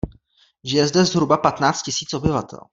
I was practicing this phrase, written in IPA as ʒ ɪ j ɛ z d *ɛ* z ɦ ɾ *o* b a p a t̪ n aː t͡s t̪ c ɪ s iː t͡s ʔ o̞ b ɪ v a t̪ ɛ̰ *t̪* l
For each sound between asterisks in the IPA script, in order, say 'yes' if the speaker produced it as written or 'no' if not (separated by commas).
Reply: yes, no, no